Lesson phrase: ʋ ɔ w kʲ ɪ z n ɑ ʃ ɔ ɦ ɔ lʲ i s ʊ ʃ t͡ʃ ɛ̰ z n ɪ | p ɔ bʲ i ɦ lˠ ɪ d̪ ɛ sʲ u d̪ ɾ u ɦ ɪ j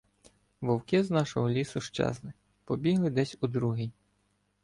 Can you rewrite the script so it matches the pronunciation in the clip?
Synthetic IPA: ʋ ɔ w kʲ ɪ z n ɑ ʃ ɔ ɦ ɔ lʲ i s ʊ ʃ t͡ʃ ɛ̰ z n ɪ | p ɔ bʲ i ɦ lˠ ɪ d̪ ɛ sʲ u d̪ ɾ u ɦ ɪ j